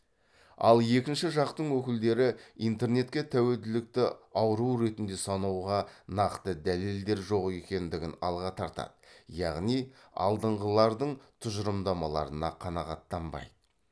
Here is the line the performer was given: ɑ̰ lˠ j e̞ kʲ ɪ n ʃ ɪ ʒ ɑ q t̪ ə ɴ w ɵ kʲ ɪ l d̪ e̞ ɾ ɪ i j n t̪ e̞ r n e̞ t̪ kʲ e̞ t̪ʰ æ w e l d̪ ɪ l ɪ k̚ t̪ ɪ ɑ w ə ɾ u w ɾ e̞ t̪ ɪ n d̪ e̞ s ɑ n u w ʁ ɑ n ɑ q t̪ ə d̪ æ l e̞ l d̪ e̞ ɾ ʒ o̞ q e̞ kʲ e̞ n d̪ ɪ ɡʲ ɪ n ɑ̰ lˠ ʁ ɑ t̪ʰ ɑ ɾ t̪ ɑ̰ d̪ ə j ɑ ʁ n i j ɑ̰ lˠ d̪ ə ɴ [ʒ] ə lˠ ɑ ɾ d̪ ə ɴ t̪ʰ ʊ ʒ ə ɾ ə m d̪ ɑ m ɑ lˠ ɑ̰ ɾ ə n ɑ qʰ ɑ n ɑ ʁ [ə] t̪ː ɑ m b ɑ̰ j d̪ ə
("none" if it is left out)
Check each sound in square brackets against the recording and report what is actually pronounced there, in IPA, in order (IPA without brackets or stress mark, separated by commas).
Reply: ʁ, ɑ